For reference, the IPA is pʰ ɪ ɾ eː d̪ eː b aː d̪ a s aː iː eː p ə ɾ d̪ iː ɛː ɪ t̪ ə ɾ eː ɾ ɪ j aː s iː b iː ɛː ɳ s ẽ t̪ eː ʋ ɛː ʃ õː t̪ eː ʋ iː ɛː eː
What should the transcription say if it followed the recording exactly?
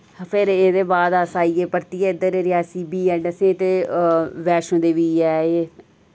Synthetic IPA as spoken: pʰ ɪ ɾ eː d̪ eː b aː d̪ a s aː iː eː p ə ɾ t̪ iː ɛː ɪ d̪ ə ɾ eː ɾ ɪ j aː s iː b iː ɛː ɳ s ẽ t̪ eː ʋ ɛː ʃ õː d̪ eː ʋ iː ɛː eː